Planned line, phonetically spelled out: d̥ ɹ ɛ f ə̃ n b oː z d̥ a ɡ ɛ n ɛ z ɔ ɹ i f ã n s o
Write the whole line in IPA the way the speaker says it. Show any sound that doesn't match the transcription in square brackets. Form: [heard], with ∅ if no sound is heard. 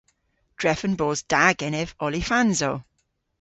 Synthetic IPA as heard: d̥ ɹ ɛ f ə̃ n b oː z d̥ a ɡ ɛ n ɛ [v] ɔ [l] i f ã n [z] o